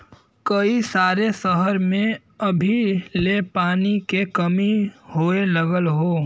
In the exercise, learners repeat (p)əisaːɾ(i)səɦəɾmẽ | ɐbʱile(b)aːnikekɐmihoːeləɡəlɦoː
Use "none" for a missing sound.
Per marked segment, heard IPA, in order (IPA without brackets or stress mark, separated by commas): k, e, p